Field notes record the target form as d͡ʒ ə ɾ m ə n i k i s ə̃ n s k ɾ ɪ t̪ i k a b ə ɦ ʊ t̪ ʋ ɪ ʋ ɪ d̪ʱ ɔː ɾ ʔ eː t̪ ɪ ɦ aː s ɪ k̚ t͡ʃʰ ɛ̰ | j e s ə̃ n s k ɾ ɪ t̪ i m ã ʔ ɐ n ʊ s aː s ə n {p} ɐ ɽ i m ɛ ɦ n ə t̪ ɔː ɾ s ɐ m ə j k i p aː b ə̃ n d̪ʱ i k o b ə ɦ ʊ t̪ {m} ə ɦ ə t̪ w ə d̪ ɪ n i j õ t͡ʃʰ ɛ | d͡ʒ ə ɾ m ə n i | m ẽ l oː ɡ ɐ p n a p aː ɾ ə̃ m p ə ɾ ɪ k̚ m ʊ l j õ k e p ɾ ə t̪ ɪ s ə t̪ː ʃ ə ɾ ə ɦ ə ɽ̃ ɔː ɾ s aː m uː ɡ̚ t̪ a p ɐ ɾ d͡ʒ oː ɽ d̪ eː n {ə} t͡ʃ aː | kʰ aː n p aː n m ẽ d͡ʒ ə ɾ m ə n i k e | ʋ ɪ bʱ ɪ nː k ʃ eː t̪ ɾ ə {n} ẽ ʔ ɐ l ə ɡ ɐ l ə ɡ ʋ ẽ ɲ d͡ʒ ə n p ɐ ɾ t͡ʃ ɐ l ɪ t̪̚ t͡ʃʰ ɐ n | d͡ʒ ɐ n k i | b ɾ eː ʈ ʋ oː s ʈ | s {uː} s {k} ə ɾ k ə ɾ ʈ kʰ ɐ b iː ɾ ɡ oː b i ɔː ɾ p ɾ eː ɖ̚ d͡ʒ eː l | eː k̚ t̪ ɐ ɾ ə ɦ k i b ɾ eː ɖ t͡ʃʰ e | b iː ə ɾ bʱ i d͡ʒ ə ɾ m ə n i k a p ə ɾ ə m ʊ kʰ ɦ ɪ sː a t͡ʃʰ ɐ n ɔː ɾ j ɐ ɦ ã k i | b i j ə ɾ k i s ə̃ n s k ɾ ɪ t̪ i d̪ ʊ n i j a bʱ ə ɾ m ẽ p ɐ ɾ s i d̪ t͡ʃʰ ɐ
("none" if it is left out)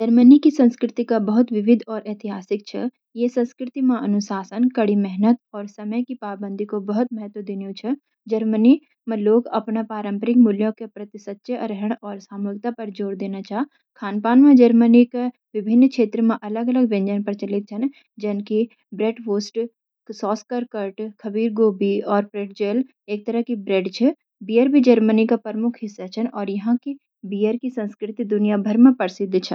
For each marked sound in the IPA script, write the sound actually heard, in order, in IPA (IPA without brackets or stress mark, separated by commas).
k, m, a, m, ɔː, k